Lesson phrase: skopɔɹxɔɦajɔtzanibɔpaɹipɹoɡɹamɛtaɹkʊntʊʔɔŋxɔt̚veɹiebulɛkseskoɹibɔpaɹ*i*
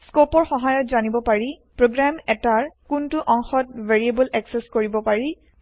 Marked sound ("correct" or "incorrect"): correct